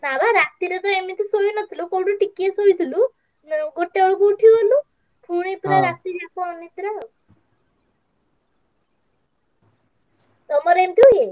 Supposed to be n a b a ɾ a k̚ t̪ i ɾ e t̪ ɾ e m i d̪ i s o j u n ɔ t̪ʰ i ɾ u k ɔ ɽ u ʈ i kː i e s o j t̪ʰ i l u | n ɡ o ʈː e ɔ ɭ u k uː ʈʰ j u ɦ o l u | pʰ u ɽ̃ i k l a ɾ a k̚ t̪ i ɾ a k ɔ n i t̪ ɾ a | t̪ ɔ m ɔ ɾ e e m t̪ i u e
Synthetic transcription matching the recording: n a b a ɾ a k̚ t̪ i ɾ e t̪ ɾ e m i t̪ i s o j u n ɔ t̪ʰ i l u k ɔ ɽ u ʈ i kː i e s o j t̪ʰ i l u | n ɡ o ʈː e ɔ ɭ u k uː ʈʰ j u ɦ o l u | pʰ u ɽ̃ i p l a ɾ a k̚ t̪ i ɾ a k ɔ n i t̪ ɾ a | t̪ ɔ m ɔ ɾ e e m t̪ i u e